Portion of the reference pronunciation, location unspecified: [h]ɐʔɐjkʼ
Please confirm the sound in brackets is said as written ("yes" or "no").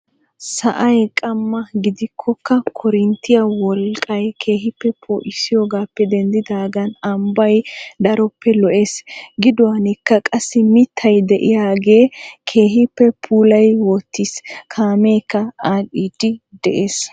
no